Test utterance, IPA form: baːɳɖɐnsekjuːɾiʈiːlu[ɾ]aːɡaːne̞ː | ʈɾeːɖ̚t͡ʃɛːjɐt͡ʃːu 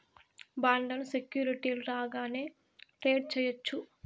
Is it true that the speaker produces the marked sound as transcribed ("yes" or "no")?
yes